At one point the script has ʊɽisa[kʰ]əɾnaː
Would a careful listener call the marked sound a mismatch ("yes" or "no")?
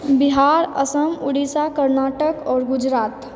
yes